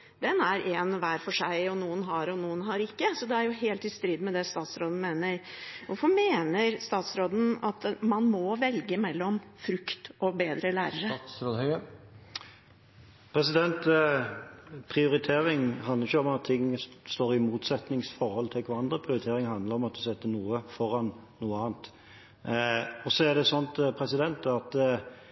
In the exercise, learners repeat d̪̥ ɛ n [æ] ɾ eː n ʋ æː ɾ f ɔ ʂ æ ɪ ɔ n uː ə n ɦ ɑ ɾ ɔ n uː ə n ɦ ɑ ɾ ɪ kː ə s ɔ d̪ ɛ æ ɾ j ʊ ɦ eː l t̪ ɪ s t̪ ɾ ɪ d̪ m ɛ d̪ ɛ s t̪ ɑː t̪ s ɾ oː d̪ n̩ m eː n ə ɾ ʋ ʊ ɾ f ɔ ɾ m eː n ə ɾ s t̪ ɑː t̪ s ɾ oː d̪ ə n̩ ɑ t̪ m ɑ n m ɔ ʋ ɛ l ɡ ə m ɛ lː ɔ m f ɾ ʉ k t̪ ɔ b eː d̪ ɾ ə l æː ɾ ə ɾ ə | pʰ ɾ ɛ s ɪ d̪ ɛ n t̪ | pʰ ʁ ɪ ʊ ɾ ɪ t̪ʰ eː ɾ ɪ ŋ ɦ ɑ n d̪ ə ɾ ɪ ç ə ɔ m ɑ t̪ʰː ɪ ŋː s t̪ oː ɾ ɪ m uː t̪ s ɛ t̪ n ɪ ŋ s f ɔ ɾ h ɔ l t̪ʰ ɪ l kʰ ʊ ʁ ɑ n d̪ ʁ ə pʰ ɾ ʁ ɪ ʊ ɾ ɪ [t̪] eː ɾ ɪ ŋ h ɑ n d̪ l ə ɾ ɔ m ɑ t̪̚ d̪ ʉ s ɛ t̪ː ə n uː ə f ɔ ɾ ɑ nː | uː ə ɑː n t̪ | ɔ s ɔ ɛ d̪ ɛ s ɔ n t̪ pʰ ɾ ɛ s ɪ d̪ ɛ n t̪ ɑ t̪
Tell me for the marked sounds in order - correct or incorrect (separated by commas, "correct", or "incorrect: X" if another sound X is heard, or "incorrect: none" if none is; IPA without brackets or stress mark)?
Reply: correct, incorrect: t̪ʰ